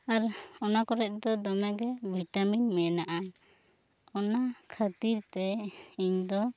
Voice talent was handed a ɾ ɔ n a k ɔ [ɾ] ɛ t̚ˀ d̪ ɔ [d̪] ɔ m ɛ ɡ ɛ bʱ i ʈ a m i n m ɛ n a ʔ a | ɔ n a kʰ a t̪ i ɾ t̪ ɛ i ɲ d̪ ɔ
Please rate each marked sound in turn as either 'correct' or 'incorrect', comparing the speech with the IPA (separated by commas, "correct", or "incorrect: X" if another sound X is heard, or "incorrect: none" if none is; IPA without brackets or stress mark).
correct, correct